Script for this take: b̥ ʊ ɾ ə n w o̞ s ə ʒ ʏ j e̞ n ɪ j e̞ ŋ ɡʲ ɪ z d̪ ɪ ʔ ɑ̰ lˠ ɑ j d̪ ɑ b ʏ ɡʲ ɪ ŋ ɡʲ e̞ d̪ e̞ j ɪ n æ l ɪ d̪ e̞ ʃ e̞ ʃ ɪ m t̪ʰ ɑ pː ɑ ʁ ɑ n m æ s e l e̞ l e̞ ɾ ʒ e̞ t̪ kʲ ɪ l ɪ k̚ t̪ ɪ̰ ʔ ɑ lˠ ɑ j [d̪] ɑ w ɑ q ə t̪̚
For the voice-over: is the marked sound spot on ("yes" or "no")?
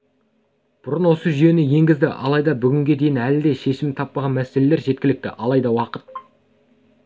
yes